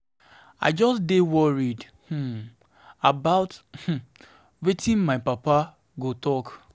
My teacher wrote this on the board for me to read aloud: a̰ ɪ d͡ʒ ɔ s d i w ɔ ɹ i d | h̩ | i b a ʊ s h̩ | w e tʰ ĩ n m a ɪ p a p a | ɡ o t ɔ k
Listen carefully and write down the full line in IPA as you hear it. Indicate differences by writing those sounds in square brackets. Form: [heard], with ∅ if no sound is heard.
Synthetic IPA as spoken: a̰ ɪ d͡ʒ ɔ s d [e] w ɔ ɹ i d | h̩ | [a] b a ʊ [t] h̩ | w e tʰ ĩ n m a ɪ p a p a | ɡ o t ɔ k